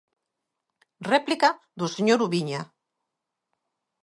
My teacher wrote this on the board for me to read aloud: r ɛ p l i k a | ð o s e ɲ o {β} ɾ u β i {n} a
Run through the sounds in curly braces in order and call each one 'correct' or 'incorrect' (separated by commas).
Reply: incorrect, incorrect